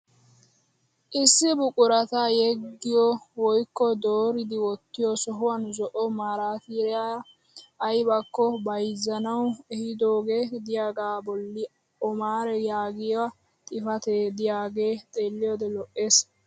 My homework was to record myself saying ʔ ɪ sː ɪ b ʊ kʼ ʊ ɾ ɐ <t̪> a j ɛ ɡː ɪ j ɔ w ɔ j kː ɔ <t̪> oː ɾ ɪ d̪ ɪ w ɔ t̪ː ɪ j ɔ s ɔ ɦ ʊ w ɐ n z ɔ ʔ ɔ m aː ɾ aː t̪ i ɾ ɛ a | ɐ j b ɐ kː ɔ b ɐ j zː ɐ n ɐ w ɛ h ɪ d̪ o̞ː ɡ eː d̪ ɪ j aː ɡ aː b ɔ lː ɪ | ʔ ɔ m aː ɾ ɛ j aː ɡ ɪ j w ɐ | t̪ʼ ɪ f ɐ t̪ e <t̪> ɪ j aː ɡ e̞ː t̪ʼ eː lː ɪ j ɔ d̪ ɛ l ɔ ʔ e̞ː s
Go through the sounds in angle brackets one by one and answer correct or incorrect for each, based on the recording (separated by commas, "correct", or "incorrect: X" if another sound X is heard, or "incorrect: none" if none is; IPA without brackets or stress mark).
correct, incorrect: d̪, incorrect: d̪